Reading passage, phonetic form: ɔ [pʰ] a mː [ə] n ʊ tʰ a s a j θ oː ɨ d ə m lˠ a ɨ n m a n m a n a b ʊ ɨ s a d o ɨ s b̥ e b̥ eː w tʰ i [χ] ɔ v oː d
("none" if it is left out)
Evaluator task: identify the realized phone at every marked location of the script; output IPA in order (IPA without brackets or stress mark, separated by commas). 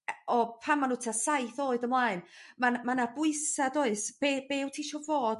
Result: pʰ, a, ʃ